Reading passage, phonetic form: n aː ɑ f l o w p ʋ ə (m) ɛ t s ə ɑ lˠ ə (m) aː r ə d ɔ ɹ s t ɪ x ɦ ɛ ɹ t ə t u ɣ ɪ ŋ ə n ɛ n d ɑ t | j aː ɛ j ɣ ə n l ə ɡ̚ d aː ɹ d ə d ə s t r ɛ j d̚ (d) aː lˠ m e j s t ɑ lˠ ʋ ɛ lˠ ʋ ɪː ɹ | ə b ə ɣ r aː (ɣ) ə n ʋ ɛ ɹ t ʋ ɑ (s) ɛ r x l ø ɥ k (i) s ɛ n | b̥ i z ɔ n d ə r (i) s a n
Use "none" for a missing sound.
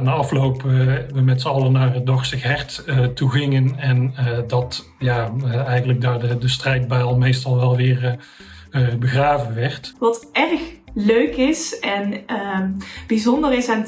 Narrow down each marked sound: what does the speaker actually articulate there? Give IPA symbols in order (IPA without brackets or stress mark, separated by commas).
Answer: m, n, b, v, t, ɪ, ɪ